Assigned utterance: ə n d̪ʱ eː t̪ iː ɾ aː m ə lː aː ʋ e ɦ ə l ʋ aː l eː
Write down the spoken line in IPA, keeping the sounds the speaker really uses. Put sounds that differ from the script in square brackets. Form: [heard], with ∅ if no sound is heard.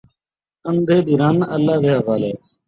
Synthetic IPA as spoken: ə n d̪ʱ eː [d̪] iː ɾ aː [n] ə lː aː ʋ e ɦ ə [∅] ʋ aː l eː